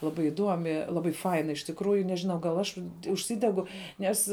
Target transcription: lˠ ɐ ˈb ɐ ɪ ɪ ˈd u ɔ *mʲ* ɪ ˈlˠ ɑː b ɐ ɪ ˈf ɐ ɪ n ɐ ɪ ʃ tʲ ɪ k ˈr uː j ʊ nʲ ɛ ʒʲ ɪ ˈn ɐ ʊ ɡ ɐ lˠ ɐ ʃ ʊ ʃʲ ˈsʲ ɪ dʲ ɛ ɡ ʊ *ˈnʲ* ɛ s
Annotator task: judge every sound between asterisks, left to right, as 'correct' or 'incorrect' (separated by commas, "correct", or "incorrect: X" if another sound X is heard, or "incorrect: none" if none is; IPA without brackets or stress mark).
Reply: correct, correct